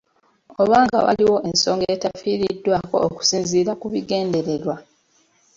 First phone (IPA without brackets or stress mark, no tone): o̞